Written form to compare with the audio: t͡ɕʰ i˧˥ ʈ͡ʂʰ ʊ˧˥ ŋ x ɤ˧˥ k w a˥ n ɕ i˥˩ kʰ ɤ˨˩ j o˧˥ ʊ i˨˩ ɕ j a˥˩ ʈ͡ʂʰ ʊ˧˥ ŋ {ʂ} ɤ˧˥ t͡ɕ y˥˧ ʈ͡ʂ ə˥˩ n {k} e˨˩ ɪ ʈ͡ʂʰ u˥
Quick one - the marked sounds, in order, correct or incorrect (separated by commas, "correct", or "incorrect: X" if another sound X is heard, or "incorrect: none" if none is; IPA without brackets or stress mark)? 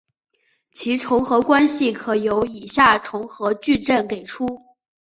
incorrect: x, correct